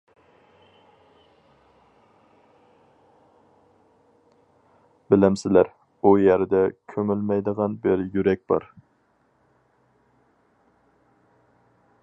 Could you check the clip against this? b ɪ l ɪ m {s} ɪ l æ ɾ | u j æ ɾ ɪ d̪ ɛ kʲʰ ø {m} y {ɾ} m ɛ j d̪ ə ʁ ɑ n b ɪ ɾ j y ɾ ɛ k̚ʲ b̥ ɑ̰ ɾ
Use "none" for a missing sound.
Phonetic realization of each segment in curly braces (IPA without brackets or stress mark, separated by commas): s, m, l